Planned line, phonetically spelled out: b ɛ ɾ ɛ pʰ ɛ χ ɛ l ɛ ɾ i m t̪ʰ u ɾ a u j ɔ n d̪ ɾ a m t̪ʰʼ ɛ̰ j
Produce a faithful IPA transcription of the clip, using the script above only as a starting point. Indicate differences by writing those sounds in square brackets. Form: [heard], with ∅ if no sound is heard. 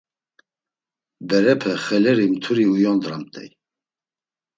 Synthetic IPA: b ɛ ɾ ɛ pʰ ɛ χ ɛ l ɛ ɾ i m t̪ʰ u ɾ [i] u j ɔ n d̪ ɾ a m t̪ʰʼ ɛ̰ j

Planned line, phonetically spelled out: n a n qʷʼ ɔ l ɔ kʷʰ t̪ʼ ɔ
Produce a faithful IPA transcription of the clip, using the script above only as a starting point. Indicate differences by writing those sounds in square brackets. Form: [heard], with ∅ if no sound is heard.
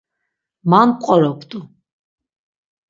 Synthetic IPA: [m] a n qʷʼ ɔ [ɾ] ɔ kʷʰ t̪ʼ [u]

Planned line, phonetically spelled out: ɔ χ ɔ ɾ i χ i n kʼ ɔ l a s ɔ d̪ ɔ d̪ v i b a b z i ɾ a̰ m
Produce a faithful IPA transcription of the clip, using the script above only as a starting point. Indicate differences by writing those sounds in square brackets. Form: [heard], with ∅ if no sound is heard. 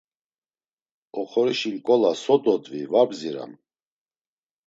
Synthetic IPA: ɔ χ ɔ ɾ i [ʃ] i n kʼ ɔ l a s ɔ d̪ ɔ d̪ v i [v] a b z i ɾ a̰ m

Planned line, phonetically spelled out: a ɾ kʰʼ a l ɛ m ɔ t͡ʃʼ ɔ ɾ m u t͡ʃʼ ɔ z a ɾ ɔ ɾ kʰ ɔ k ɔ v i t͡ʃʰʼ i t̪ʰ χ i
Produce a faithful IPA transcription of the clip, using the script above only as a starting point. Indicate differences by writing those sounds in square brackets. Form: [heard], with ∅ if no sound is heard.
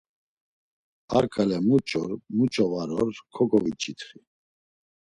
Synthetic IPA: a ɾ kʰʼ a l ɛ m [u] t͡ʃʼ ɔ ɾ m u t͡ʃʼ ɔ [v] a ɾ ɔ ɾ kʰ ɔ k ɔ v i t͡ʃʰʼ i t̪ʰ χ i

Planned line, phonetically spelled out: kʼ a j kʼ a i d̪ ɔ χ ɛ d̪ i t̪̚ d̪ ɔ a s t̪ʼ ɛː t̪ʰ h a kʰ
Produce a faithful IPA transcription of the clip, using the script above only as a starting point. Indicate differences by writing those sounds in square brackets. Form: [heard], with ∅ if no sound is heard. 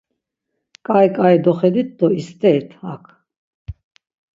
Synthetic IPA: kʼ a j kʼ a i d̪ ɔ χ ɛ d̪ i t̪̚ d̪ ɔ [i] s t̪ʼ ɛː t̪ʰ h a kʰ

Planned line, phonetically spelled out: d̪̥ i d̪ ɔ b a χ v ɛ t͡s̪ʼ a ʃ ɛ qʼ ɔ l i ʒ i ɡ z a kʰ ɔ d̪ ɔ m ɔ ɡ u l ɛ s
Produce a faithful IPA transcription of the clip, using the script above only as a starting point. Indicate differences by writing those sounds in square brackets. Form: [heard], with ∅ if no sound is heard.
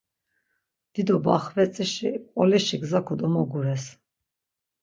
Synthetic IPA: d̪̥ i d̪ ɔ b a χ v ɛ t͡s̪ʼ [i] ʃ [i] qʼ ɔ l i [ʃ] i ɡ z a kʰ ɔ d̪ ɔ m ɔ ɡ u [ɾ] ɛ s

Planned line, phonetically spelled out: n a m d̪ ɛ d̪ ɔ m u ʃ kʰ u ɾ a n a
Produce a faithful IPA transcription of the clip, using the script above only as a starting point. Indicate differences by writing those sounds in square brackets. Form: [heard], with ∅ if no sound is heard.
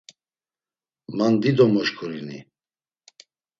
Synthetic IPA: [m] a [n] d̪ [i] d̪ ɔ m [ɔ] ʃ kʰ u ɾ [i] n [i]

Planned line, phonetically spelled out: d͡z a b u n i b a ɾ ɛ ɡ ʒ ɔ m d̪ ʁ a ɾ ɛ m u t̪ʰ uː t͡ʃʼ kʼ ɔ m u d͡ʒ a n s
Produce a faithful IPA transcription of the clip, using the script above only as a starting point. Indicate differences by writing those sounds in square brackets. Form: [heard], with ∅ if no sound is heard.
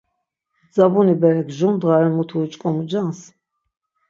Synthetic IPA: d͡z a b u n i b [ɛ] ɾ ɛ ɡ ʒ [u] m d̪ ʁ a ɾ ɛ m u t̪ʰ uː t͡ʃʼ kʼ ɔ m u d͡ʒ a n s

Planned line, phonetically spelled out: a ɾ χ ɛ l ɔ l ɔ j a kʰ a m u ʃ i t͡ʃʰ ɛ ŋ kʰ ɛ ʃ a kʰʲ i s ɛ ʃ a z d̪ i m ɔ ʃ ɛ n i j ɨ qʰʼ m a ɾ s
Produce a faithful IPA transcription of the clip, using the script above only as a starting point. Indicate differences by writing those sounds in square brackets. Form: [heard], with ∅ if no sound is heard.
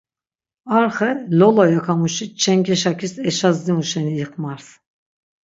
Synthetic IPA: a ɾ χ ɛ l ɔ l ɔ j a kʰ a m u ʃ i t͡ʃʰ ɛ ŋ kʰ ɛ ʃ a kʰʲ i s ɛ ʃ a z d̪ i m [u] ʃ ɛ n i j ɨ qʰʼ m a ɾ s

